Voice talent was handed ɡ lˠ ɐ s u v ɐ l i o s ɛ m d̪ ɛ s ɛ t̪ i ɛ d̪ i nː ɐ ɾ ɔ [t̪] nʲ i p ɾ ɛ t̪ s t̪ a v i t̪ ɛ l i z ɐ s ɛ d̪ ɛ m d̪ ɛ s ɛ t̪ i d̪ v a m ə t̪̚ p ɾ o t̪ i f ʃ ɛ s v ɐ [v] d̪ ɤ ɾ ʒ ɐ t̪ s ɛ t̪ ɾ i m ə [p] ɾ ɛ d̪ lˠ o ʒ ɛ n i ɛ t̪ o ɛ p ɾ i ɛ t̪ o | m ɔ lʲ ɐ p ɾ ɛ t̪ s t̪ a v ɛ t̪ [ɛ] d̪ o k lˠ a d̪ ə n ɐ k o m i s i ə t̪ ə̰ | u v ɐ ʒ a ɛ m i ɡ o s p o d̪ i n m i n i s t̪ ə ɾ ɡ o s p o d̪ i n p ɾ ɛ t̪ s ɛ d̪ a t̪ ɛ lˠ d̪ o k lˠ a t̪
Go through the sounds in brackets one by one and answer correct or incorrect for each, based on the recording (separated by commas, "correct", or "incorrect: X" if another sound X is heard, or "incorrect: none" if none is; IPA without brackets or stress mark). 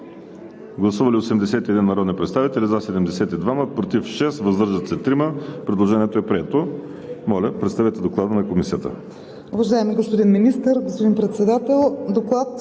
incorrect: d̪, incorrect: z, correct, correct